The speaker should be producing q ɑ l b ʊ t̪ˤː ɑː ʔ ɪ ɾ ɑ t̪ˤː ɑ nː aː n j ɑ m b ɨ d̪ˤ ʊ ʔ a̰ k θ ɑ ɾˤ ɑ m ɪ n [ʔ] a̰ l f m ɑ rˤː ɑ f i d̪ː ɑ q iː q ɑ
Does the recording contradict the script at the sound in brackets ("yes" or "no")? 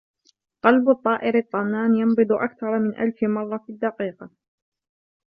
no